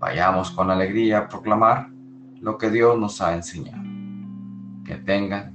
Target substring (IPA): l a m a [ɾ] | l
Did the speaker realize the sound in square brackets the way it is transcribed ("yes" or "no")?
yes